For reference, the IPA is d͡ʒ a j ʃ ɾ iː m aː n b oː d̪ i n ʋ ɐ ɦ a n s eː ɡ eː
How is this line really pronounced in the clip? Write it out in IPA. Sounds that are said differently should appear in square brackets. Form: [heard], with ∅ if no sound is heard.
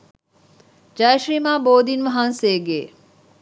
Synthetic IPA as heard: d͡ʒ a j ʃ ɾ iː m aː [∅] b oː d̪ i n ʋ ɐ ɦ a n s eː ɡ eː